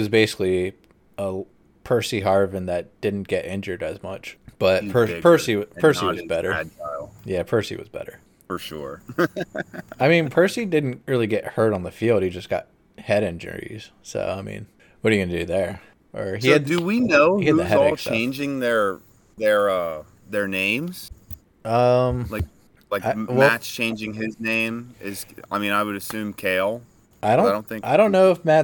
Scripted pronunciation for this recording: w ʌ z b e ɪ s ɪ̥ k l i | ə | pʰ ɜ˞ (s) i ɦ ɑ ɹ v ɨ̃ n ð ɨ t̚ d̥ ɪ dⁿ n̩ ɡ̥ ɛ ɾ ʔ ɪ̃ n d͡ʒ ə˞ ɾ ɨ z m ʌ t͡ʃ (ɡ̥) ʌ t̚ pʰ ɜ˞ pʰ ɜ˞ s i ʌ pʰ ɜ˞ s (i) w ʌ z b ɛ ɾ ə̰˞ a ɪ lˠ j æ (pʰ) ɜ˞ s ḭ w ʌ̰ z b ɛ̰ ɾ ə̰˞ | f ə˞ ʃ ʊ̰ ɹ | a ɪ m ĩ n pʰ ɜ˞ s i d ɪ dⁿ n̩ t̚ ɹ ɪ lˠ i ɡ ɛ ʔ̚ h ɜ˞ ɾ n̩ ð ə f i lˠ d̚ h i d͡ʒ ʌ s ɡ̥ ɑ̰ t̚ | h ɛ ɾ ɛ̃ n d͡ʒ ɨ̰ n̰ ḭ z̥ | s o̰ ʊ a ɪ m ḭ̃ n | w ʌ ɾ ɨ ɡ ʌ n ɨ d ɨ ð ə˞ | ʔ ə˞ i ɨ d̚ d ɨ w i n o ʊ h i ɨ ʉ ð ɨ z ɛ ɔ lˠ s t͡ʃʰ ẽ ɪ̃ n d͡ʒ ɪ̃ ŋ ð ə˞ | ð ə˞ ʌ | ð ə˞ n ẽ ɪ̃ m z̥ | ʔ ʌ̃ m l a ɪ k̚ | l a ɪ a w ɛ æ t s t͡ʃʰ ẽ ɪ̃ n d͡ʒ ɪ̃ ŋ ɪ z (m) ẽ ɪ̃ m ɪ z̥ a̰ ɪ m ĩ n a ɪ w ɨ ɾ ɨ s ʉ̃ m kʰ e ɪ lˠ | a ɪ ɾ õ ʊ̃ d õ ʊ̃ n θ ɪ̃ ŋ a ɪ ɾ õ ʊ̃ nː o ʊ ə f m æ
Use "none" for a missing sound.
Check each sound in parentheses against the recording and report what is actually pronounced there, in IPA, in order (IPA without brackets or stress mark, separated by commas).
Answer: s, b̥, i, pʰ, n